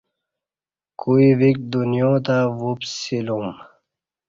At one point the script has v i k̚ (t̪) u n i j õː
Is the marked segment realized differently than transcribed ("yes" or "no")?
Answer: yes